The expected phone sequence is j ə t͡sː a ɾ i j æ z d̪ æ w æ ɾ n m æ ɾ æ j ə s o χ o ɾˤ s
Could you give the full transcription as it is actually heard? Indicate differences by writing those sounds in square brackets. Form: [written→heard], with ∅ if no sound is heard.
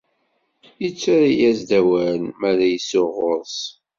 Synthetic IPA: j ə t͡sː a ɾ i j æ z d̪ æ w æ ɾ n m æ ɾ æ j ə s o [χ→ʁ] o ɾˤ s